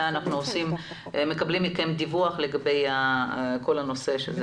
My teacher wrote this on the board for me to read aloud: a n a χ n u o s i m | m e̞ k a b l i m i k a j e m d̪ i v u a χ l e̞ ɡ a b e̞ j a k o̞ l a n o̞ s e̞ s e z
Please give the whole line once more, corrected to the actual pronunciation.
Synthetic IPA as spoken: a n a χ n u o s i m | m e̞ k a b l i m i k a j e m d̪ i v u a χ l e̞ ɡ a b e̞ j a k o̞ l a n o̞ s e̞ ʃ e z